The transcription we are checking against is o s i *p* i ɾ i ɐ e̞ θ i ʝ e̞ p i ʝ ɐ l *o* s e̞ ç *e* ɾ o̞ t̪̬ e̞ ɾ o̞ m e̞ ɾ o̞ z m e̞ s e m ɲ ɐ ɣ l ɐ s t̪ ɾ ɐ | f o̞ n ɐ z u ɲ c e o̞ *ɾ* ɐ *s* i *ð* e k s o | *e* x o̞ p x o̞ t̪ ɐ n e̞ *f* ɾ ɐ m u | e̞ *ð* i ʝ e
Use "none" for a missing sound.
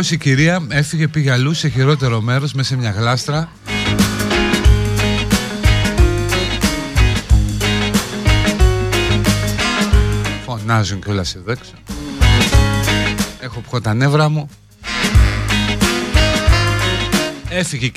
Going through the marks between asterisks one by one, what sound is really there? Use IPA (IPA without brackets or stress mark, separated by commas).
c, u, i, l, s, ð, e, v, θ